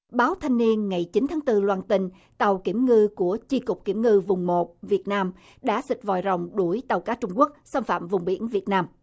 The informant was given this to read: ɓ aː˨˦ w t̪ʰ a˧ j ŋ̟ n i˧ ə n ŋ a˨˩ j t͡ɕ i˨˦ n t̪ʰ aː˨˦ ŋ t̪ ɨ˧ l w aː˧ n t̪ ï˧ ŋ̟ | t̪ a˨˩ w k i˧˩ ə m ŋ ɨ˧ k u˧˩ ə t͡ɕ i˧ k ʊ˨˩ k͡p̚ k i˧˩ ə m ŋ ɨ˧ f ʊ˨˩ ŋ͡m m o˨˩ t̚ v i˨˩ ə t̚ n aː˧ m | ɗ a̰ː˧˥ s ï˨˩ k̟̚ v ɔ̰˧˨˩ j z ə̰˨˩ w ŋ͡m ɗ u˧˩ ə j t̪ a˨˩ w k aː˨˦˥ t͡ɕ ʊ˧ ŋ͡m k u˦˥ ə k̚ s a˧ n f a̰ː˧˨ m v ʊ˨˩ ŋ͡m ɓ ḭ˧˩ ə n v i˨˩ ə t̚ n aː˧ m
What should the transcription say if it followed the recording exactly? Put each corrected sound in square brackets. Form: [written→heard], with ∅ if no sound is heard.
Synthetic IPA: ɓ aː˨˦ w t̪ʰ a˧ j ŋ̟ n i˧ ə n ŋ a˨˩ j t͡ɕ i˨˦ n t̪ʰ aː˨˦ ŋ t̪ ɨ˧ l w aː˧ n t̪ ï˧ ŋ̟ | t̪ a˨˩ w k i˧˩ ə m ŋ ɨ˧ k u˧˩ ə t͡ɕ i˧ k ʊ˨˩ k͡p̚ k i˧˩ ə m ŋ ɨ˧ [f→v] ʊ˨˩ ŋ͡m m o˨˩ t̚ v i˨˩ ə t̚ n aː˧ m | ɗ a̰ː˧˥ s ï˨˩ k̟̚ v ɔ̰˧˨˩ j z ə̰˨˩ w ŋ͡m ɗ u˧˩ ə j t̪ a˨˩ w k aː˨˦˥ t͡ɕ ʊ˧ ŋ͡m k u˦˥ ə k̚ s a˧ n f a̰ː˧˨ m v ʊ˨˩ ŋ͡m ɓ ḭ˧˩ ə n v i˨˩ ə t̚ n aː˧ m

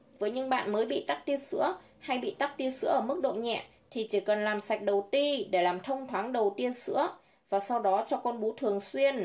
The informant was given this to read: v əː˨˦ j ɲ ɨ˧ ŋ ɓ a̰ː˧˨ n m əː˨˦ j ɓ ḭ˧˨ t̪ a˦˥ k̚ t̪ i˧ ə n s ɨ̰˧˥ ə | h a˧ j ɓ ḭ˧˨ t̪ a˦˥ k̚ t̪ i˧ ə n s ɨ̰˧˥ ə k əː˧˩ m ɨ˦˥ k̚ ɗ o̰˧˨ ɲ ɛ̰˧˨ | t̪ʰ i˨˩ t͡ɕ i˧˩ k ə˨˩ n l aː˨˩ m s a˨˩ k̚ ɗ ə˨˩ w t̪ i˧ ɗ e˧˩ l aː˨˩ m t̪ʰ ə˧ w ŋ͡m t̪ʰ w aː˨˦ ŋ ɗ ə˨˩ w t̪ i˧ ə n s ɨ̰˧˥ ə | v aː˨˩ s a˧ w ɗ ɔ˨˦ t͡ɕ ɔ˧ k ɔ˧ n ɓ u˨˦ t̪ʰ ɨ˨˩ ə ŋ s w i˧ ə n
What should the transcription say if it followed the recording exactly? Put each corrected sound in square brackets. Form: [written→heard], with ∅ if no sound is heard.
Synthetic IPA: v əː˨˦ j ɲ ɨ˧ ŋ ɓ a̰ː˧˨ n m əː˨˦ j ɓ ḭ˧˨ t̪ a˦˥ k̚ t̪ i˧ ə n s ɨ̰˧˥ ə | h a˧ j ɓ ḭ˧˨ t̪ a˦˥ k̚ t̪ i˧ ə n s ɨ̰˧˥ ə [k→ʔ] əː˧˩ m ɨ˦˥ k̚ ɗ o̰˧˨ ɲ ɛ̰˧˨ | t̪ʰ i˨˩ t͡ɕ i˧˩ k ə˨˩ n l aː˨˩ m s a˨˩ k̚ ɗ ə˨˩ w t̪ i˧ ɗ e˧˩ l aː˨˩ m t̪ʰ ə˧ w ŋ͡m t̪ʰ w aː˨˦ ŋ ɗ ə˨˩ w t̪ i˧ ə n s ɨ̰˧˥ ə | v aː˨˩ s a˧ w ɗ ɔ˨˦ t͡ɕ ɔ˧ k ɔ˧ n ɓ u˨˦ t̪ʰ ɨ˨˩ ə ŋ s w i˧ ə n

